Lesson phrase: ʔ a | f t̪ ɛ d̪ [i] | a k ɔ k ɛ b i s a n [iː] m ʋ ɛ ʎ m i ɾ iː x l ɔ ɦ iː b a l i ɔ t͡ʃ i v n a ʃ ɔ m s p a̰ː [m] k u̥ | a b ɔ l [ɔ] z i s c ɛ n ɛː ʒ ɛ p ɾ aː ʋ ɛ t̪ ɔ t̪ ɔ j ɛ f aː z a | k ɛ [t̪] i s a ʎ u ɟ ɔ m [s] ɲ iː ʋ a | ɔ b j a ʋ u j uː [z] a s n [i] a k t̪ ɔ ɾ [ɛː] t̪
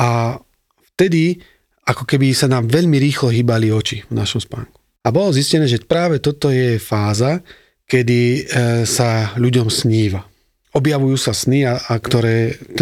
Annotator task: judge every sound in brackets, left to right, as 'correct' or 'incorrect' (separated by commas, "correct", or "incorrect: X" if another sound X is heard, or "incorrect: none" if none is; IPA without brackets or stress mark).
correct, incorrect: aː, incorrect: ŋ, correct, incorrect: d̪, correct, incorrect: s, correct, correct